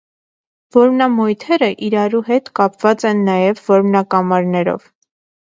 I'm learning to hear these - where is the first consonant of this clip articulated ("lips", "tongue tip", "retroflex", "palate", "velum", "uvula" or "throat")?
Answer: lips